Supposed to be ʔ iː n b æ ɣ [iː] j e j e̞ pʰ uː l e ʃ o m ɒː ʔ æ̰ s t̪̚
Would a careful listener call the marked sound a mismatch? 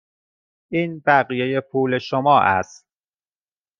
yes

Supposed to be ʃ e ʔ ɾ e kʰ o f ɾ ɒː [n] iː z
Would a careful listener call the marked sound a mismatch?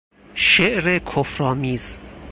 yes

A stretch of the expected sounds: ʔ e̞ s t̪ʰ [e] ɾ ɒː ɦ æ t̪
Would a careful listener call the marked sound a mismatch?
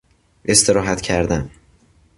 no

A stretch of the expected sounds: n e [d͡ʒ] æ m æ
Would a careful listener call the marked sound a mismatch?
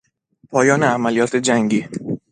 yes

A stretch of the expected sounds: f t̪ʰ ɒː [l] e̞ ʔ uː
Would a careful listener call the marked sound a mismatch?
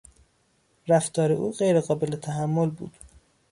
yes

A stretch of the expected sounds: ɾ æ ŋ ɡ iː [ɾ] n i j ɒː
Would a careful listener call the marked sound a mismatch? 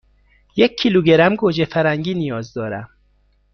yes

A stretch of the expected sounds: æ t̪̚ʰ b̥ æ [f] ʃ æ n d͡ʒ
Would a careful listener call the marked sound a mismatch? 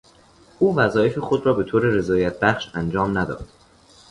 yes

